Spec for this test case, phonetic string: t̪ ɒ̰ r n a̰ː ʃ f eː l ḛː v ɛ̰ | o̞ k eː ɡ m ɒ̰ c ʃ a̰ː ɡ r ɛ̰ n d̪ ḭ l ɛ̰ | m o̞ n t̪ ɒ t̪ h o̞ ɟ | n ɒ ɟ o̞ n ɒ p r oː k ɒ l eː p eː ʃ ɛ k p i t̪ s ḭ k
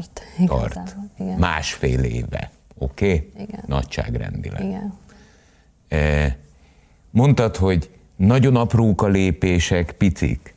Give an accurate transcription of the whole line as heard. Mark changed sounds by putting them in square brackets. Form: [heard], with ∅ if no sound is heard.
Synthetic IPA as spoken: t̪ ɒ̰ r [m] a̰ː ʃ f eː l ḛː v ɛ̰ | o̞ k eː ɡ [n] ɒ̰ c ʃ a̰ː ɡ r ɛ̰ n d̪ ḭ l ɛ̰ | m o̞ n t̪ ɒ t̪ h o̞ ɟ | n ɒ ɟ o̞ n ɒ p r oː k ɒ l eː p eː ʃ ɛ k p i t̪ s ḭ k